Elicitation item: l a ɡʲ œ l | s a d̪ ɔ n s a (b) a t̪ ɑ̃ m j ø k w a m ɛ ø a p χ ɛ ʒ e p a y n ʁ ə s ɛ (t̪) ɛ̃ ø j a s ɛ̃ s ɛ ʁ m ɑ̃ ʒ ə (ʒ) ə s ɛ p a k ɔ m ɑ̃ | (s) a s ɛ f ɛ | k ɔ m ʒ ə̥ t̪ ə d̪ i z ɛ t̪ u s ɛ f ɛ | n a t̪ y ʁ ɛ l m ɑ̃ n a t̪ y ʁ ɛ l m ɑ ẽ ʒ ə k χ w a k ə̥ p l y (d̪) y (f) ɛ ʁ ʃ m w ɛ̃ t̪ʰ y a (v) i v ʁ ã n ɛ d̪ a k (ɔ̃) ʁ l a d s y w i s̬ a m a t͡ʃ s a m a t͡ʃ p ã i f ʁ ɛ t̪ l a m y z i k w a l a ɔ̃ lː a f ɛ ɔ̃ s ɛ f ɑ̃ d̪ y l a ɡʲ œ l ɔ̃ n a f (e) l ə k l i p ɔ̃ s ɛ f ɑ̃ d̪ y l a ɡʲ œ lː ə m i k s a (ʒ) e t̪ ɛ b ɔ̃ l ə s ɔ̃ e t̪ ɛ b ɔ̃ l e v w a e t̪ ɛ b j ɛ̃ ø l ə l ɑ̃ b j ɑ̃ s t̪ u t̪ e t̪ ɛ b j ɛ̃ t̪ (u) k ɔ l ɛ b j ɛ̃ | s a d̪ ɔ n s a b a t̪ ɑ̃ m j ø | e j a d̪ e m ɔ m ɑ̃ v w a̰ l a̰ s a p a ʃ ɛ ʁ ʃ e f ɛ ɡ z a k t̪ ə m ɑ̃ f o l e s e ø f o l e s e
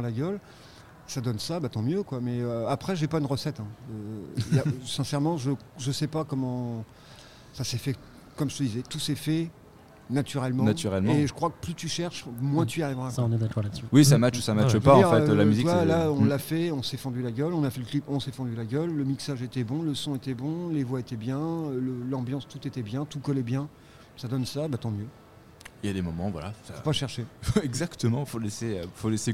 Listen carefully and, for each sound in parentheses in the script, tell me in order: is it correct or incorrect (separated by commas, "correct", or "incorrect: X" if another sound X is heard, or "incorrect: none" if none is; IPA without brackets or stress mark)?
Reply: correct, correct, correct, correct, incorrect: t̪, incorrect: ʃ, incorrect: ʁ, incorrect: ɔ, incorrect: ɛ, correct, correct